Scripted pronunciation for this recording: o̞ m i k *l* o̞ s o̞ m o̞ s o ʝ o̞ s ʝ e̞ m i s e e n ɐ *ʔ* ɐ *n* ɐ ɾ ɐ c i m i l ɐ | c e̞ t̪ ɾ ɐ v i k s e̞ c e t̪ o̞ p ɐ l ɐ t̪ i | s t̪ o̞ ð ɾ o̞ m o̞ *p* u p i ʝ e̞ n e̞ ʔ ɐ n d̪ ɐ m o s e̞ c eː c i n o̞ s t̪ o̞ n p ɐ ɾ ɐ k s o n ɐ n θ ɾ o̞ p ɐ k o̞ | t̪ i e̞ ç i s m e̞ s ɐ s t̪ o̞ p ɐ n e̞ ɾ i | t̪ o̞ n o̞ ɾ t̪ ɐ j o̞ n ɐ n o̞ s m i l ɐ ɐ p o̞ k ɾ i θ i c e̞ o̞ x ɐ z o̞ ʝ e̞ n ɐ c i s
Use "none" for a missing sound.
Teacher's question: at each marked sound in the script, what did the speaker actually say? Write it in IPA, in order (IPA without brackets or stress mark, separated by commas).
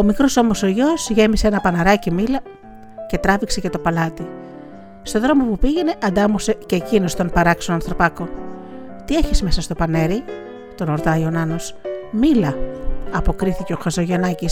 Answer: ɾ, p, n, p